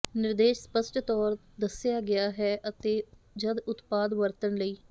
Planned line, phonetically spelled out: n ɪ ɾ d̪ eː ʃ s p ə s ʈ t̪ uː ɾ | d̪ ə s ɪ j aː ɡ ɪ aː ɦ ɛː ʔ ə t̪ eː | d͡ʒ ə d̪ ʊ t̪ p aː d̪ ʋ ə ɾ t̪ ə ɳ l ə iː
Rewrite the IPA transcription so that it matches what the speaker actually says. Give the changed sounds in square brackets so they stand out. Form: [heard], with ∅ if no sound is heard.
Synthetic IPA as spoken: n ɪ ɾ d̪ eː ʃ s p ə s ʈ t̪ [ɔː] ɾ | d̪ ə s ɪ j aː ɡ ɪ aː ɦ ɛː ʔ ə t̪ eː | d͡ʒ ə d̪ ʊ t̪ p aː d̪ ʋ ə ɾ t̪ ə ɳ l ə iː